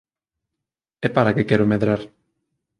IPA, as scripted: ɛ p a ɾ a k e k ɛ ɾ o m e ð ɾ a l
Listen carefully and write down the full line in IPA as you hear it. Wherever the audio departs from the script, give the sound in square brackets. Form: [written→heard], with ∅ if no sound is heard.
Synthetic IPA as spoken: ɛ p a ɾ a k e k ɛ ɾ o m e ð ɾ a [l→ɾ]